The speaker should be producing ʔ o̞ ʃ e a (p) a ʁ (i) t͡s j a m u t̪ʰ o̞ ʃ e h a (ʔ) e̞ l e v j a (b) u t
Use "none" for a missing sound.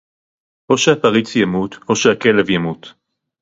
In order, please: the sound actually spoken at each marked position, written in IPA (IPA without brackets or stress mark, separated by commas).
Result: p, i, k, m